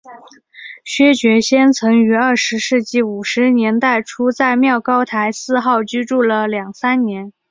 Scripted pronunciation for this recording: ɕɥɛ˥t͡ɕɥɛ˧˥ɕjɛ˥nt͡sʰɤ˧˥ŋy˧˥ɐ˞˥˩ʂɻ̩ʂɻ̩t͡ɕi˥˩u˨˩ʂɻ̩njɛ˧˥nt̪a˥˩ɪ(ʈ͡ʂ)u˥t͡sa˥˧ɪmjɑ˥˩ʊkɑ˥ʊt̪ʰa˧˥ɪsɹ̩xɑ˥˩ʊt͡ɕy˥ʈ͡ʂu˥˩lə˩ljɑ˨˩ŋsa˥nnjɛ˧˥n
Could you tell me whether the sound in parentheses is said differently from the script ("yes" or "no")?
yes